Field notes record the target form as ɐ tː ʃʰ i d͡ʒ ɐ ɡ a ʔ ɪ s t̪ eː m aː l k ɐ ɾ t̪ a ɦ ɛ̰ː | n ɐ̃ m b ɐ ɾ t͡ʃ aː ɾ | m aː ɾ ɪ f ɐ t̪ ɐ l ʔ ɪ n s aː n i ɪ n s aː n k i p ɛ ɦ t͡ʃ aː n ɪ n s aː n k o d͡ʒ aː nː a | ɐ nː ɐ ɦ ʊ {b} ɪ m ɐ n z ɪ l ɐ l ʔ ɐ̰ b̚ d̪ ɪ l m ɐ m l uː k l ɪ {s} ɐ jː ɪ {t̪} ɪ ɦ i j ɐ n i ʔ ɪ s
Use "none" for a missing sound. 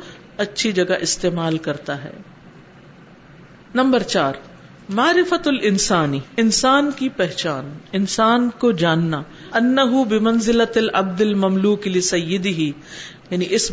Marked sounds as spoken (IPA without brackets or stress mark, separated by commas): b, s, d̪